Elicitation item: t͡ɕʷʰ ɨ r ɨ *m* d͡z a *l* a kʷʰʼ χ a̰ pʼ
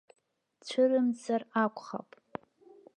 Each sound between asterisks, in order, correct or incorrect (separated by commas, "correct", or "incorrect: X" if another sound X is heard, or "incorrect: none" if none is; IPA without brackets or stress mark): correct, incorrect: r